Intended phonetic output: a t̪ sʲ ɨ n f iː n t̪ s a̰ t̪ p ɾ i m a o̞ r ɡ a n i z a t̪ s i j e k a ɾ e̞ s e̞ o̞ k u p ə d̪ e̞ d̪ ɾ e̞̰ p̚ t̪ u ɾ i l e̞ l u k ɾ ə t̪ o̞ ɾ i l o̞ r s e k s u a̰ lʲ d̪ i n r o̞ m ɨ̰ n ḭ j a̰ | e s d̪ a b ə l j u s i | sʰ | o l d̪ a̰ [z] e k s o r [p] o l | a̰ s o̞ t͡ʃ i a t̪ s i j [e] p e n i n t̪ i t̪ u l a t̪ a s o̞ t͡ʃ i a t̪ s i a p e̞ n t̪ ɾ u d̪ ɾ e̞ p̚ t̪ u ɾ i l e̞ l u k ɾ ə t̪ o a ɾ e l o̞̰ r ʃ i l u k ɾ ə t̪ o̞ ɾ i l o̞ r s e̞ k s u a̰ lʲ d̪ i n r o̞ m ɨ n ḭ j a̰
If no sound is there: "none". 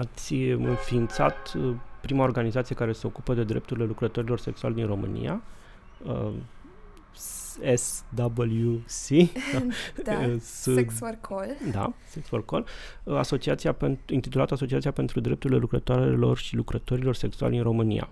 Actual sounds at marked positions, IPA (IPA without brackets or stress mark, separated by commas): s, k, a